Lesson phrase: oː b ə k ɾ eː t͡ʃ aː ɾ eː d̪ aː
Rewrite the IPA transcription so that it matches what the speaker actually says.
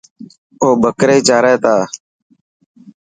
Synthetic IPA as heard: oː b ə k ɾ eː t͡ʃ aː ɾ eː t̪ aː